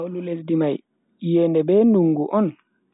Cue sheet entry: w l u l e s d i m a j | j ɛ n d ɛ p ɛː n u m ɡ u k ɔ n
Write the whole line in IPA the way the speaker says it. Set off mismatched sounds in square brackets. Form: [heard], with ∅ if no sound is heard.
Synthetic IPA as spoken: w l u l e s d i m a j | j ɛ n d ɛ [b] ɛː n u [ŋ] ɡ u [ʔ] ɔ n